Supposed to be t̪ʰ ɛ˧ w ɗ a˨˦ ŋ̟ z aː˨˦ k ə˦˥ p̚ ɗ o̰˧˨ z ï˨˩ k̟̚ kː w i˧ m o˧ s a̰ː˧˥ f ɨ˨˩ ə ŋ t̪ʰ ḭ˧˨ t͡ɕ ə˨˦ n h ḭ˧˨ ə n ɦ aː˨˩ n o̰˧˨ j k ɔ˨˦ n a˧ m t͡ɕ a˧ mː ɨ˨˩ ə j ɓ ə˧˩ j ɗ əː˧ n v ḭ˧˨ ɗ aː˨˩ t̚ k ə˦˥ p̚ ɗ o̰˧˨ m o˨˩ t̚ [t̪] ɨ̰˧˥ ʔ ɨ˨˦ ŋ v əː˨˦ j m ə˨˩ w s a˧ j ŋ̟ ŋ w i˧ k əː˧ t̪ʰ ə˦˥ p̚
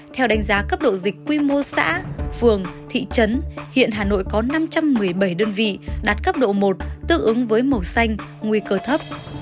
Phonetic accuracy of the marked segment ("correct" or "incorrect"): correct